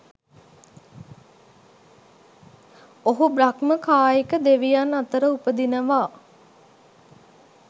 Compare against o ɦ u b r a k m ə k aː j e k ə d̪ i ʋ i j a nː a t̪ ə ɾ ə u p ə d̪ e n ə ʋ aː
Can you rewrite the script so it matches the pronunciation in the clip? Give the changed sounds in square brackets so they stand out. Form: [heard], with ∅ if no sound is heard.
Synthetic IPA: o ɦ u b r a k m ə k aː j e k ə d̪ [e] ʋ i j a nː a t̪ ə ɾ ə u p ə d̪ [i] n ə ʋ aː